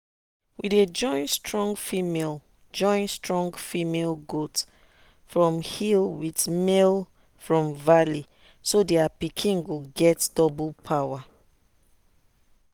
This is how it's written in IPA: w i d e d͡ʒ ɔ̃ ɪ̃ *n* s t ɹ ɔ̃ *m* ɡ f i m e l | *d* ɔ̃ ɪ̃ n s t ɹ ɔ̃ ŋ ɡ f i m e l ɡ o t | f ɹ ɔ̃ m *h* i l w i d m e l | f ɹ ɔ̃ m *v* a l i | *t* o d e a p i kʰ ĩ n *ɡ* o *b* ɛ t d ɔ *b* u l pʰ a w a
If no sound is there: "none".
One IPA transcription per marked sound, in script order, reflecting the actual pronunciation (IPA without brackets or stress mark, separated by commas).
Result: n, ŋ, d͡ʒ, h, v, s, ɡ, ɡ, b